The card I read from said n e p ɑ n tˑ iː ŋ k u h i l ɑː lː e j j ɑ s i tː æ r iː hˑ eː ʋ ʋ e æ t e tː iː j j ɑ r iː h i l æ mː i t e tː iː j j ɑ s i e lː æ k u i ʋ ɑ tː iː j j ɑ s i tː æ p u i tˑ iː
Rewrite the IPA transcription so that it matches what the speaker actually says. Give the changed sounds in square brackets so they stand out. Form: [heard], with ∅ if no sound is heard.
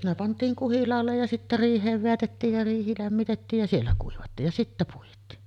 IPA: n e p ɑ n tˑ iː ŋ k u h i l ɑː lː e j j ɑ s i tː æ r iː hˑ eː ʋ ʋ e æ t e tː iː j j ɑ r iː h i l æ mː i t e tː iː j j ɑ s i e lː æ k u i ʋ ɑ tː iː j j ɑ s i tː æ p u i tˑ iː

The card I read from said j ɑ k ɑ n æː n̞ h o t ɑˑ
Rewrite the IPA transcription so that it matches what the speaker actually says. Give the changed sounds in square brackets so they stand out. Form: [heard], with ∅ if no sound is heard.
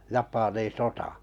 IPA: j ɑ [p] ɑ n [iː] n̞ [s] o t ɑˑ

